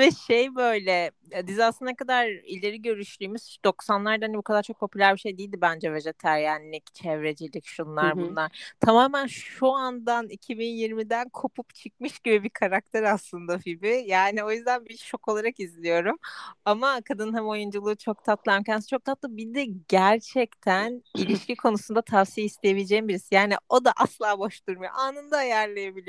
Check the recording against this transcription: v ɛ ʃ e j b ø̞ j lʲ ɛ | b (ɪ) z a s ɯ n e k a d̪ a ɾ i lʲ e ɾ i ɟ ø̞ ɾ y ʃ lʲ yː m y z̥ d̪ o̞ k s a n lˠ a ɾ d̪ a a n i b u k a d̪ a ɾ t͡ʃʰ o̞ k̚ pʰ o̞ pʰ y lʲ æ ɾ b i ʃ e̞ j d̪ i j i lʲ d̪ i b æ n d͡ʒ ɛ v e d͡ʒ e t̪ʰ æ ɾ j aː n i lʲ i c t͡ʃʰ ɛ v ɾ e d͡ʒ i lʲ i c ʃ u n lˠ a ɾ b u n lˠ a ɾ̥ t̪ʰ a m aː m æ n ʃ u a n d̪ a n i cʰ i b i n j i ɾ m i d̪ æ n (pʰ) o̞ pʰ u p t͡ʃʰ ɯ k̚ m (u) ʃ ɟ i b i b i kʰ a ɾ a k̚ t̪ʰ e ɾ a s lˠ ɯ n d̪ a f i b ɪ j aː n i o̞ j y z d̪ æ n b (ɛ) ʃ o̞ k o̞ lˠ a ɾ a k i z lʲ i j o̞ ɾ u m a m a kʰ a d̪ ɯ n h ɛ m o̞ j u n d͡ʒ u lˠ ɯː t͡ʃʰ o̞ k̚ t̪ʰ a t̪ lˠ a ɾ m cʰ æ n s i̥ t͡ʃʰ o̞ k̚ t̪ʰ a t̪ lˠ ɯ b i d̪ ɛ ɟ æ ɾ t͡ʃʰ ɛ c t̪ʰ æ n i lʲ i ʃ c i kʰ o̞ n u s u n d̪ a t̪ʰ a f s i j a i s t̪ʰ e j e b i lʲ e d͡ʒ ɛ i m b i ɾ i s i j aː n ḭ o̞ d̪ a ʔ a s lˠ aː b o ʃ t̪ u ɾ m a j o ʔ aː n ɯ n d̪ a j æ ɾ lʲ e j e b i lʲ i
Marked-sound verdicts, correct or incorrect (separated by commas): incorrect, incorrect, incorrect, incorrect